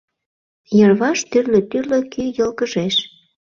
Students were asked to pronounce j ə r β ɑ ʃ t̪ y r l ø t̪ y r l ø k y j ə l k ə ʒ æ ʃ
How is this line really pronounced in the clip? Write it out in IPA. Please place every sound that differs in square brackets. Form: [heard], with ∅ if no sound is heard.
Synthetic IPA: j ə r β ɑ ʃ t̪ y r l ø t̪ y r l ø k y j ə l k ə ʒ [e] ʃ